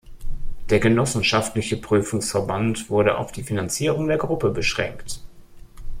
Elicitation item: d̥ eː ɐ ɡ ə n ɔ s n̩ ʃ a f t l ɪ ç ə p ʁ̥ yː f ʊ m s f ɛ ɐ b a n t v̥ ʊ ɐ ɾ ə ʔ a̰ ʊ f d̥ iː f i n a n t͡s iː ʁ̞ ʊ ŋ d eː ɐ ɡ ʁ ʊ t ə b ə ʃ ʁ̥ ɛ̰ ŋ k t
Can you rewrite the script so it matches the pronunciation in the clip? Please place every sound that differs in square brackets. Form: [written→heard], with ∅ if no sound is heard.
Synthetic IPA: d̥ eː ɐ ɡ ə n ɔ s n̩ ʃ a f t l ɪ ç ə p ʁ̥ yː f ʊ [m→ŋ] s f ɛ ɐ b a n t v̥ ʊ ɐ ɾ ə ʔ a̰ ʊ f d̥ iː f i n a n t͡s iː ʁ̞ ʊ ŋ d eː ɐ ɡ ʁ ʊ [t→p] ə b ə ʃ ʁ̥ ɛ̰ ŋ k t